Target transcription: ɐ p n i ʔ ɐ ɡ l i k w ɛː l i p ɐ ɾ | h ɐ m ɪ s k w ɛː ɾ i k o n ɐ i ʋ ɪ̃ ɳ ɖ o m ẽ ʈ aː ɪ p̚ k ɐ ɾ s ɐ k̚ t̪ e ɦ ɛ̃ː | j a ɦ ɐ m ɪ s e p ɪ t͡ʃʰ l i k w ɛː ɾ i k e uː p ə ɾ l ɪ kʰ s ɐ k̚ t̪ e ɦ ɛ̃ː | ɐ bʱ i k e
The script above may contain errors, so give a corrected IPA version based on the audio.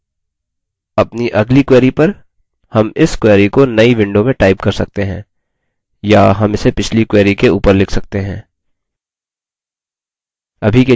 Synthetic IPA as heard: ɐ p n i ʔ ɐ ɡ l i k w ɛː ɾ i p ɐ ɾ | h ɐ m ɪ s k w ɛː ɾ i k o n ɐ i ʋ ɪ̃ ɳ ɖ o m ẽ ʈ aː ɪ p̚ k ɐ ɾ s ɐ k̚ t̪ e ɦ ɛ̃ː | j a ɦ ɐ m ɪ s e p ɪ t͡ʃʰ l i k w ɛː ɾ i k e uː p ə ɾ l ɪ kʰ s ɐ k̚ t̪ e ɦ ɛ̃ː | ɐ bʱ i k e